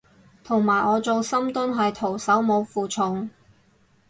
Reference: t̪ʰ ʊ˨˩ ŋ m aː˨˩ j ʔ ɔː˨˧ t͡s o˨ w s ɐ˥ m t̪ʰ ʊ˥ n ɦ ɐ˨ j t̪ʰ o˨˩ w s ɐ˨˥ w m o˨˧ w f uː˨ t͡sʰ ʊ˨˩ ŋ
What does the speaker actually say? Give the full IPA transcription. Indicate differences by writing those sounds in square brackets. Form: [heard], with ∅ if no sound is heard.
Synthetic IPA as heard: t̪ʰ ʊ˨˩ ŋ m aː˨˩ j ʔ ɔː˨˧ t͡s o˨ w s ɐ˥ m [t̪] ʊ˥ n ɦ ɐ˨ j t̪ʰ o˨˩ w s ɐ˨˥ w m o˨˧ w f uː˨ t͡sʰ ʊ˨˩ ŋ